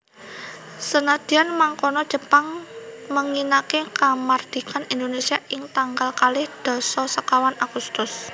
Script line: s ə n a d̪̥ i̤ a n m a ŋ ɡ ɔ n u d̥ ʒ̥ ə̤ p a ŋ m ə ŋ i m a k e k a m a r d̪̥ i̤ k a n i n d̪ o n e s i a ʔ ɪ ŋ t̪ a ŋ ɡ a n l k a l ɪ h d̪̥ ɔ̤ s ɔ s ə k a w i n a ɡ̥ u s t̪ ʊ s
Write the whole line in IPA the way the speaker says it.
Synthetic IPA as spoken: s ə n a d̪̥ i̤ a n m a ŋ k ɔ n ɔ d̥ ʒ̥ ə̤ p a ŋ m ə ŋ i n a k e k a m a r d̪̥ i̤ k a n i n d̪ o n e s i a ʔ ɪ ŋ t̪ a ŋ ɡ a l k a l ɪ h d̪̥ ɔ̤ s ɔ s ə k a w a n a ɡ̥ u s t̪ ʊ s